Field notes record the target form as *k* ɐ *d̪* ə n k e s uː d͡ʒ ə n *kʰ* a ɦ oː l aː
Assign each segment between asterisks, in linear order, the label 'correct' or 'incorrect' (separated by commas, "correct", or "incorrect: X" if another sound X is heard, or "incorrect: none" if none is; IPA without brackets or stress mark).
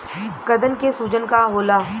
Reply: correct, correct, incorrect: k